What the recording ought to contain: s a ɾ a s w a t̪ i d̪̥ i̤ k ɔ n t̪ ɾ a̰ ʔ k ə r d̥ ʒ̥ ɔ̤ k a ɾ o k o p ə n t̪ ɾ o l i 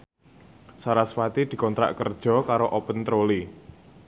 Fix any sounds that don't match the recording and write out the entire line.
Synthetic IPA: s a ɾ a s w a t̪ i d̪̥ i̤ k ɔ n t̪ ɾ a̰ ʔ k ə r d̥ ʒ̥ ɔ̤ k a ɾ o ʔ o p ə n t̪ ɾ o l i